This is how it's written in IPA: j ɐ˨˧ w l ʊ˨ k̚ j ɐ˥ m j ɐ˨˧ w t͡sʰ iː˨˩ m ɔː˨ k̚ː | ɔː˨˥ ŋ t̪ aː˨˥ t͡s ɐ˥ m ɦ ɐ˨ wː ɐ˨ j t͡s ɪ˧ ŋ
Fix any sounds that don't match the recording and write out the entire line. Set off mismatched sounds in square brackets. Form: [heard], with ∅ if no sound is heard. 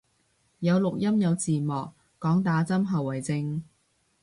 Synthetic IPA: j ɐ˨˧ w l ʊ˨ k̚ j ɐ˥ m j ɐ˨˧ w [t͡s] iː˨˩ m ɔː˨ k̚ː | ɔː˨˥ ŋ t̪ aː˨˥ t͡s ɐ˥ m ɦ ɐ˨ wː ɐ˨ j t͡s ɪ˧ ŋ